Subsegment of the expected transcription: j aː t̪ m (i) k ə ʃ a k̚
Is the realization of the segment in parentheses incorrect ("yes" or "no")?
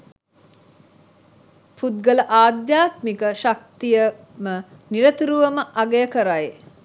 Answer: no